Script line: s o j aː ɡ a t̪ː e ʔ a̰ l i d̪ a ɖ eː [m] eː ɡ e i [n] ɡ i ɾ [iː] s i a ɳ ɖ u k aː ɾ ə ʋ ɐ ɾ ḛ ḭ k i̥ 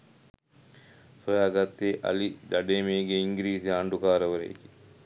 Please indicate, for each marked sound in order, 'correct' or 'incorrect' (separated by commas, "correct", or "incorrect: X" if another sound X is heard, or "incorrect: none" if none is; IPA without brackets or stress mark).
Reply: correct, incorrect: ŋ, correct